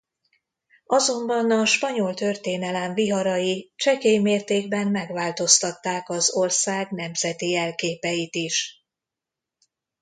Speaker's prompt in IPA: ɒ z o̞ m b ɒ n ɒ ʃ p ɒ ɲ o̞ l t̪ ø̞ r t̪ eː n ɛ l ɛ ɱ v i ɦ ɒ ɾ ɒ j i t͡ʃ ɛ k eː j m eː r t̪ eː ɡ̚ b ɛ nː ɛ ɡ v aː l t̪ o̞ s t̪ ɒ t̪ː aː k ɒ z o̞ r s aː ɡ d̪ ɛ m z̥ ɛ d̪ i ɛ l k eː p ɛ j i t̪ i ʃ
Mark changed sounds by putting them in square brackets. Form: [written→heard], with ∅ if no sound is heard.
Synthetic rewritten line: ɒ z o̞ m b ɒ n ɒ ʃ p ɒ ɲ o̞ l t̪ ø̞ r t̪ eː n ɛ l ɛ ɱ v i ɦ ɒ ɾ ɒ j i t͡ʃ ɛ k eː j m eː r t̪ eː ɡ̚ b ɛ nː ɛ ɡ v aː l t̪ o̞ s t̪ ɒ t̪ː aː k ɒ z o̞ r s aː ɡ [d̪→n̪] ɛ m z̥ ɛ [d̪→t̪] i ɛ l k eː p ɛ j i t̪ i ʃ

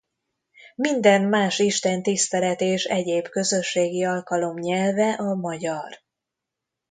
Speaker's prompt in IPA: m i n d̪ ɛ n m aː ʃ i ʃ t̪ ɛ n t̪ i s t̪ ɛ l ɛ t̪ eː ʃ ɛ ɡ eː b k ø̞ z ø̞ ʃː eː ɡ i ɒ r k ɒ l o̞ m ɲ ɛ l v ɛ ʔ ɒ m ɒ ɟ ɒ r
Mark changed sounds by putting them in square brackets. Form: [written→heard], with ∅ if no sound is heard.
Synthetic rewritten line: m i n d̪ ɛ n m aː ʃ i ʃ t̪ ɛ n t̪ i s t̪ ɛ l ɛ t̪ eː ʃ ɛ [ɡ→ɟ] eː b k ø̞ z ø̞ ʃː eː ɡ i ɒ [r→l] k ɒ l o̞ m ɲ ɛ l v ɛ ʔ ɒ m ɒ ɟ ɒ r

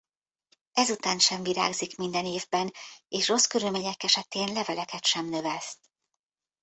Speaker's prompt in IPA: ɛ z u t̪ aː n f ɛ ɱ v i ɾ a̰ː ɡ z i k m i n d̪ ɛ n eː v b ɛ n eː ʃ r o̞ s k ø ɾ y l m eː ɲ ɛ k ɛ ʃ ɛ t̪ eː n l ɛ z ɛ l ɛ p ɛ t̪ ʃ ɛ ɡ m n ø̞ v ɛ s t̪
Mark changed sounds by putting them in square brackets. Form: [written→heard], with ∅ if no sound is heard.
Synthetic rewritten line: ɛ z u t̪ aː n [f→ʃ] ɛ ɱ v i ɾ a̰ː ɡ z i k m i n d̪ ɛ n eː v b ɛ n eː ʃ r o̞ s k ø ɾ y l m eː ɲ ɛ k ɛ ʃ ɛ t̪ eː n l ɛ [z→v] ɛ l ɛ [p→k] ɛ t̪ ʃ ɛ [ɡ→∅] m n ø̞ v ɛ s t̪

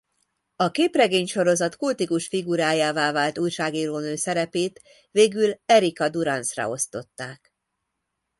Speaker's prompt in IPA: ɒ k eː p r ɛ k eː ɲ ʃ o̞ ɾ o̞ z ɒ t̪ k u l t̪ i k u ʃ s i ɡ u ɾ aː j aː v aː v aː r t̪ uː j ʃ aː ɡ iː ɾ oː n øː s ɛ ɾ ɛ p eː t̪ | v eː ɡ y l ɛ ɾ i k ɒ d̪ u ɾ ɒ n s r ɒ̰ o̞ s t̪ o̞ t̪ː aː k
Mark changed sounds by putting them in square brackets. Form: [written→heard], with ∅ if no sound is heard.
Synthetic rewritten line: ɒ k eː p r ɛ [k→ɡ] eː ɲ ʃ o̞ ɾ o̞ z ɒ t̪ k u l t̪ i k u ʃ [s→f] i ɡ u ɾ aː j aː v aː v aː [r→l] t̪ uː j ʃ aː ɡ iː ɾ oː n øː s ɛ ɾ ɛ p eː t̪ | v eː ɡ y l ɛ ɾ i k ɒ d̪ u ɾ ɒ n s r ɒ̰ o̞ s t̪ o̞ t̪ː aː k

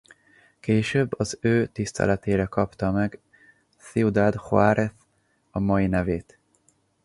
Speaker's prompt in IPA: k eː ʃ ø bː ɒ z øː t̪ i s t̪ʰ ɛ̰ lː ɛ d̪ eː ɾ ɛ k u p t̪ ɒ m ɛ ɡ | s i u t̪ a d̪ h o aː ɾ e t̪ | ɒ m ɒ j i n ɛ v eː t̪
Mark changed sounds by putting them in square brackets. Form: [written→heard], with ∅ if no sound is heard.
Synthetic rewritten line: k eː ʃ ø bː ɒ z øː t̪ i s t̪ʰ ɛ̰ [lː→l] ɛ [d̪→t̪] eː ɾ ɛ k [u→ɒ] p t̪ ɒ m ɛ ɡ | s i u [t̪→d̪] a d̪ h o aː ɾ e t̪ | ɒ m ɒ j i n ɛ v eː t̪

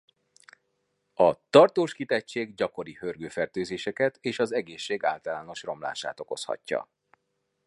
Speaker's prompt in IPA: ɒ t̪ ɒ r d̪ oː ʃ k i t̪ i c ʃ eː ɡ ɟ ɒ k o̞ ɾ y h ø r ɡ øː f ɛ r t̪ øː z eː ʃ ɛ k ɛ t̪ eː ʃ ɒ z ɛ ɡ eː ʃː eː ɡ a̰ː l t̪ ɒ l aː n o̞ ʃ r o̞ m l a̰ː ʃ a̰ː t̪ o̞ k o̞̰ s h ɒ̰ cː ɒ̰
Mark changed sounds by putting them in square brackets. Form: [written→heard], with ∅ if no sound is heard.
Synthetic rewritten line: ɒ t̪ ɒ r [d̪→t̪] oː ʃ k i t̪ [i→ɛ] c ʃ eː ɡ ɟ ɒ k o̞ ɾ [y→i] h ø r ɡ øː f ɛ r t̪ øː z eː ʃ ɛ k ɛ t̪ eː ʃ ɒ z ɛ ɡ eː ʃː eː ɡ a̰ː l t̪ ɒ l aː n o̞ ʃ r o̞ m l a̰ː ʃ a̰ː t̪ o̞ k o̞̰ s h ɒ̰ cː ɒ̰

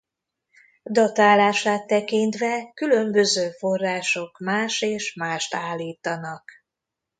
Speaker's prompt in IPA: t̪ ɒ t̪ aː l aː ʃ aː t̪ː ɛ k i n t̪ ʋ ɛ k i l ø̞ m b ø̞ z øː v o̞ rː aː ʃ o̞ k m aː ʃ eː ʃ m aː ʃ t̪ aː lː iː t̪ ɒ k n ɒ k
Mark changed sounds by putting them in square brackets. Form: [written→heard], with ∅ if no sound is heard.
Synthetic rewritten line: [t̪→d̪] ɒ t̪ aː l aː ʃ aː t̪ː ɛ k i n t̪ ʋ ɛ k [i→y] l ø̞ m b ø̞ z øː [v→f] o̞ rː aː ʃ o̞ k m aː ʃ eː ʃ m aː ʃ t̪ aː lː iː t̪ ɒ [k→∅] n ɒ k

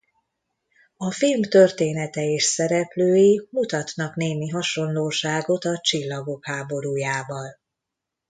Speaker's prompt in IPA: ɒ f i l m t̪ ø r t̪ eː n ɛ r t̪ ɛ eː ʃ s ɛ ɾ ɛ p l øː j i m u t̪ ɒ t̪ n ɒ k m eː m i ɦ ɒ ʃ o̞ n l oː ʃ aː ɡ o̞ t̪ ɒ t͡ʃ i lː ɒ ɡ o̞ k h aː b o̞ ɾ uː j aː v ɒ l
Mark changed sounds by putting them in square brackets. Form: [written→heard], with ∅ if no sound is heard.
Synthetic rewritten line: ɒ f i l m t̪ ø r t̪ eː n ɛ [r→∅] t̪ ɛ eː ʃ s ɛ ɾ ɛ p l øː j i m u t̪ ɒ t̪ n ɒ k [m→n] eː m i ɦ ɒ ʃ o̞ n l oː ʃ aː ɡ o̞ t̪ ɒ t͡ʃ i lː ɒ ɡ o̞ k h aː b o̞ ɾ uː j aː v ɒ l

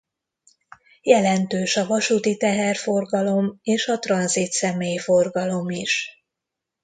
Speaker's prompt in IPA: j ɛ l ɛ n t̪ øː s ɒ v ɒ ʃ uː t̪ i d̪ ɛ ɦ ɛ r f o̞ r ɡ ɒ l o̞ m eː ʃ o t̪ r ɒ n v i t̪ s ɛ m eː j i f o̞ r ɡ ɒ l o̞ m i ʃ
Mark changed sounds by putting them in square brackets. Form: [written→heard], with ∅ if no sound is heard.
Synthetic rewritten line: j ɛ l ɛ n t̪ øː [s→ʃ] ɒ v ɒ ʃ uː t̪ i [d̪→t̪] ɛ ɦ ɛ r f o̞ r ɡ ɒ l o̞ m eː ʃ [o→ɒ] t̪ r ɒ n [v→z] i t̪ s ɛ m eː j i f o̞ r ɡ ɒ l o̞ m i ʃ

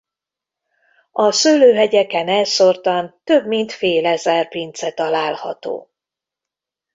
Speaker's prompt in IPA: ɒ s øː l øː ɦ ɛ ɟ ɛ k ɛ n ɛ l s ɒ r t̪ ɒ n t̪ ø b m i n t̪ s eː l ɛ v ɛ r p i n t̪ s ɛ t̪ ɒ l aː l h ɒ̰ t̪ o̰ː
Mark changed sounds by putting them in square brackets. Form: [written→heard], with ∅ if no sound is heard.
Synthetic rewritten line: ɒ s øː l øː ɦ ɛ ɟ ɛ k ɛ n ɛ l s [ɒ→o] r t̪ ɒ n t̪ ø b m i n t̪ [s→f] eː l ɛ [v→z] ɛ r p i n t̪ s ɛ t̪ ɒ l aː l h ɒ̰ t̪ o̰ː

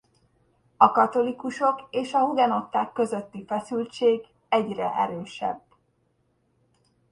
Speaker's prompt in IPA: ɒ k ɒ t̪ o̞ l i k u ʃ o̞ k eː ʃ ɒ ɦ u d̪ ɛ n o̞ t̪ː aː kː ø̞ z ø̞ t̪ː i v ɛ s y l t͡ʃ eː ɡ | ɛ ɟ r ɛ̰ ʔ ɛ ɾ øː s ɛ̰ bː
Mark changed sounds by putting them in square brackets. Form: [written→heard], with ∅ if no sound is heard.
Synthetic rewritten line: ɒ k ɒ t̪ o̞ l i k u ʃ o̞ k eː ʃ ɒ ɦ u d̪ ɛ n o̞ t̪ː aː kː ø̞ z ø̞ t̪ː i [v→f] ɛ s y l t͡ʃ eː ɡ | ɛ ɟ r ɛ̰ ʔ ɛ ɾ øː [s→ʃ] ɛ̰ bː

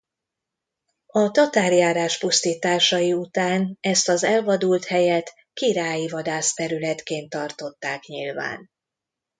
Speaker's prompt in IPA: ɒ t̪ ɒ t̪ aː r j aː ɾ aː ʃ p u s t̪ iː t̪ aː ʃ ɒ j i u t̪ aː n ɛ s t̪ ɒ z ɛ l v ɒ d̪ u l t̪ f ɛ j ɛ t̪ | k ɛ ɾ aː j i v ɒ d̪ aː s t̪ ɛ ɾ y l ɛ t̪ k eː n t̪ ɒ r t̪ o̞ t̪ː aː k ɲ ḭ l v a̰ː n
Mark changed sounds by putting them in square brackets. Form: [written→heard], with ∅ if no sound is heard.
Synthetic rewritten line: ɒ t̪ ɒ t̪ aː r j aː ɾ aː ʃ p u s t̪ iː t̪ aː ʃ ɒ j i u t̪ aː n ɛ s t̪ ɒ z ɛ l v ɒ d̪ u l t̪ [f→h] ɛ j ɛ t̪ | k [ɛ→i] ɾ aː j i v ɒ d̪ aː s t̪ ɛ ɾ y l ɛ t̪ k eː n t̪ ɒ r t̪ o̞ t̪ː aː k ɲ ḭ l v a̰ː n

